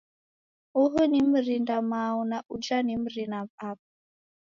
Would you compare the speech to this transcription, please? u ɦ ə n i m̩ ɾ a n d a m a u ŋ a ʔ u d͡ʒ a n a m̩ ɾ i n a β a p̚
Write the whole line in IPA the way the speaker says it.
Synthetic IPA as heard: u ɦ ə n i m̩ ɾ i n d a m a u n a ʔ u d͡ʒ a n i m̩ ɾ i n a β a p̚